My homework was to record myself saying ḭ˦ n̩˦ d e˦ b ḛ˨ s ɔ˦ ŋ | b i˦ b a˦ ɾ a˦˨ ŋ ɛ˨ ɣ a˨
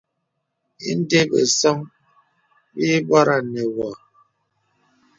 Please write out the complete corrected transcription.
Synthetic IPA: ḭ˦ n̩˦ d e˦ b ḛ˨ s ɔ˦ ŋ | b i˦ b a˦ ɾ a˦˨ n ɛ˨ w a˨